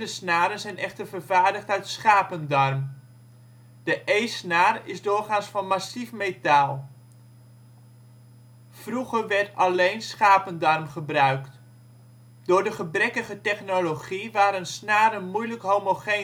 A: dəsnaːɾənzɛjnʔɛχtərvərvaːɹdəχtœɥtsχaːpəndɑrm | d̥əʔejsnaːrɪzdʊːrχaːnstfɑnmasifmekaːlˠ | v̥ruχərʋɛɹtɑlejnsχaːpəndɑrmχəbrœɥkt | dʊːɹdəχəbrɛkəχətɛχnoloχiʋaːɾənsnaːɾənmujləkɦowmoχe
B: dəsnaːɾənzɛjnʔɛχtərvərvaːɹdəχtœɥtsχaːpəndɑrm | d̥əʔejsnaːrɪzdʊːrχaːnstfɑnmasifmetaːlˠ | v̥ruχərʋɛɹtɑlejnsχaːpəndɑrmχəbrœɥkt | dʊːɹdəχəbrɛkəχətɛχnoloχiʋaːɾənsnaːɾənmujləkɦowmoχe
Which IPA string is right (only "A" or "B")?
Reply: B